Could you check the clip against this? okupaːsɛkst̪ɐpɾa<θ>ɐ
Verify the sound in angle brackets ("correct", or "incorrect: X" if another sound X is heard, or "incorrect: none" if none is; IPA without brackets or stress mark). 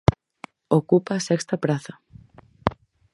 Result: correct